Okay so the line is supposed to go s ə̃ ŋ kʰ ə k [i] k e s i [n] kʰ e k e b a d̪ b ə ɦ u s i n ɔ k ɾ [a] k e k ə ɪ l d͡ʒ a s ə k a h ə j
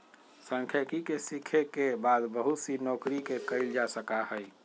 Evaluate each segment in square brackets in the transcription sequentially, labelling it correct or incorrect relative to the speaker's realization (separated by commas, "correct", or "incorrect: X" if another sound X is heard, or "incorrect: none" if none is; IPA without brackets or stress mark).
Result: correct, incorrect: none, incorrect: i